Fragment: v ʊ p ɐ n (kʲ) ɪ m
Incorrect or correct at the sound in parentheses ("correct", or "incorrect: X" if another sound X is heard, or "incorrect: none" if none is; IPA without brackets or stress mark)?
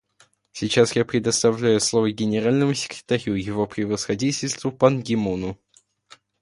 incorrect: ɡʲ